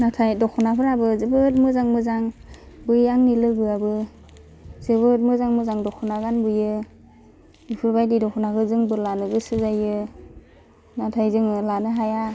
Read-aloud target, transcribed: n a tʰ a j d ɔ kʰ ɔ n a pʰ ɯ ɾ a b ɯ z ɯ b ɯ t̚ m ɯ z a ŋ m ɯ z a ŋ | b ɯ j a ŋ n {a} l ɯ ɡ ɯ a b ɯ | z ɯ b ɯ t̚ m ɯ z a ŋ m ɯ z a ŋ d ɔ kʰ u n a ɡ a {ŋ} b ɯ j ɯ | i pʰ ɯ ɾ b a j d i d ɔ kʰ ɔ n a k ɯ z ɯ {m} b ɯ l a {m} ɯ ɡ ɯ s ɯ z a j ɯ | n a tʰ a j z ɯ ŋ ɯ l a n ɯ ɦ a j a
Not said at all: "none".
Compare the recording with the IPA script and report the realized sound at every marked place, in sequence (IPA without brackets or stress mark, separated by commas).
i, n, ŋ, n